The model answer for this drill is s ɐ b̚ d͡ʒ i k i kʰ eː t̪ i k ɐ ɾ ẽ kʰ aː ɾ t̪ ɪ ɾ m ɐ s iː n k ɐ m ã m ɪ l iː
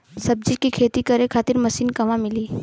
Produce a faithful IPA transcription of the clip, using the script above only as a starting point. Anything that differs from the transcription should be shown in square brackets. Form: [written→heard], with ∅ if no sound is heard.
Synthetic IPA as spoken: s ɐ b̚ d͡ʒ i k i kʰ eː t̪ i k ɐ ɾ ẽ kʰ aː [ɾ→∅] t̪ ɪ ɾ m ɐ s iː n k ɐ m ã m ɪ l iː